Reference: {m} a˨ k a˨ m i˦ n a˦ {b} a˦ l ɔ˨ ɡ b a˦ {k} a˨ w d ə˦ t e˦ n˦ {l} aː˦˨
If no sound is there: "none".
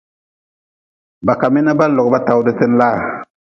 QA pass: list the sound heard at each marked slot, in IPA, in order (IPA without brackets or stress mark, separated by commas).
b, b, t, l